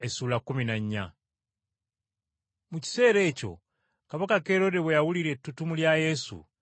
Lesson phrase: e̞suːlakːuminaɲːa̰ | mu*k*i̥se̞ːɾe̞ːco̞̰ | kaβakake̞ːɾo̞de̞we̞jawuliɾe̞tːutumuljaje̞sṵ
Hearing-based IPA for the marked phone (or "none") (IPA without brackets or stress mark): c